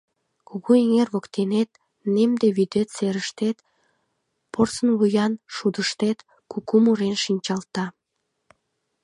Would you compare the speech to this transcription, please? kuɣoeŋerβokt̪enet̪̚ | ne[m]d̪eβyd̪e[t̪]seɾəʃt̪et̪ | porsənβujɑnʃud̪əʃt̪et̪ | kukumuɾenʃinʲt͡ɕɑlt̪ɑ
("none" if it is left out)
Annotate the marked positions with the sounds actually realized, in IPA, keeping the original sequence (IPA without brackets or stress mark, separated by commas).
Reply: m, t̪